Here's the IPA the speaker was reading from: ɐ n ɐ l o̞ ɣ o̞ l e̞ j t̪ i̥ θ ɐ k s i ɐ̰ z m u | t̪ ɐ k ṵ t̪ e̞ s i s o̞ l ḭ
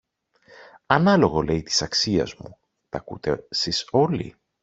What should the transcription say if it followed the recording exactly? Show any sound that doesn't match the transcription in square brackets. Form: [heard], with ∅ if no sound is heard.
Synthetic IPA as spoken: ɐ n ɐ l o̞ ɣ o̞ l e̞ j t̪ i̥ [s] ɐ k s i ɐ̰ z m u | t̪ ɐ k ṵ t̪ e̞ s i s o̞ l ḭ